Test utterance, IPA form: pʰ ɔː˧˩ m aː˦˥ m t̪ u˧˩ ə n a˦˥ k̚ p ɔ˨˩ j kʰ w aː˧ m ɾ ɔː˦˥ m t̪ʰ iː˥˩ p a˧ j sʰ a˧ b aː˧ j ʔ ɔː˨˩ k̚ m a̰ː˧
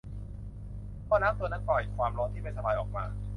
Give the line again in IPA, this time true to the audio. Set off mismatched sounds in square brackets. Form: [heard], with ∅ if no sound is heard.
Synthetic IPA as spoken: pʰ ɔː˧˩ [n] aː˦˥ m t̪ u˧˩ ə n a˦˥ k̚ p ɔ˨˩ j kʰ w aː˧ m ɾ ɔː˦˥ [n] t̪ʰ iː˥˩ p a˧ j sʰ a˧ b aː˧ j ʔ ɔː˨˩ k̚ m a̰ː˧